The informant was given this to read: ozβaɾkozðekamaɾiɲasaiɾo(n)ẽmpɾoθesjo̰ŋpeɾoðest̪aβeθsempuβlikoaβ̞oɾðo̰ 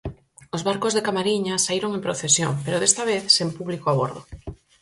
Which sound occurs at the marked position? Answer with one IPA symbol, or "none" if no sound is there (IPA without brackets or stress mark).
ŋ